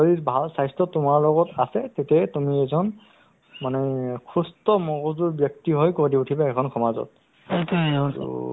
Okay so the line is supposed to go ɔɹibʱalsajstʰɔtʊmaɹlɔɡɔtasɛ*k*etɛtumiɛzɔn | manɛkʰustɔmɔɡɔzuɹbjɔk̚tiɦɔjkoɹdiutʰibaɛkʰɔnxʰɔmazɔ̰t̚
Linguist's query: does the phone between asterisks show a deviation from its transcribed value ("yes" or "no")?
yes